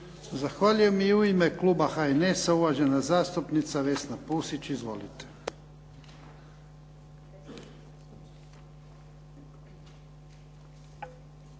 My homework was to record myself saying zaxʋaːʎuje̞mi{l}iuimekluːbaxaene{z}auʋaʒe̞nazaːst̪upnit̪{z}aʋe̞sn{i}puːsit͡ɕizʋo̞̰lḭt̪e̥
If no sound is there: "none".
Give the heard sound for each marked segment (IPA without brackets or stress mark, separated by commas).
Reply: none, s, s, a